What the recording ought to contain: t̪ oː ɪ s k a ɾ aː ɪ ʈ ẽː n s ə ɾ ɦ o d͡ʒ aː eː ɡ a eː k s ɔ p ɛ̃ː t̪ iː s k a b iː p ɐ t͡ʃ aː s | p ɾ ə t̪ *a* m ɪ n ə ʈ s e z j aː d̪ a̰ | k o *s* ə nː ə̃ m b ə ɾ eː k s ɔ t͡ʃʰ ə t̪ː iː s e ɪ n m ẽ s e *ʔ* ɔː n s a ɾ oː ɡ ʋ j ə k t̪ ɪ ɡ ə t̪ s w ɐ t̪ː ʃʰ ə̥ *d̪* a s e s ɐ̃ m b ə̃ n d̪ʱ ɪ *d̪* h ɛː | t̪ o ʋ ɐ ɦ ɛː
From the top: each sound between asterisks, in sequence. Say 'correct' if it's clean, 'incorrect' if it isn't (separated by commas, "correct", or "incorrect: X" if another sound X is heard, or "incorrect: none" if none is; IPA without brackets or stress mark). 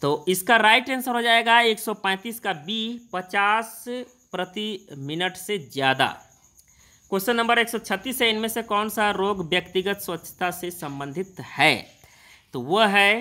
incorrect: i, correct, incorrect: k, incorrect: t̪, incorrect: t̪